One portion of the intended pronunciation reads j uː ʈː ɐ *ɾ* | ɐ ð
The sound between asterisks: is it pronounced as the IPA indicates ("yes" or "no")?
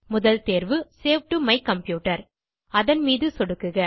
yes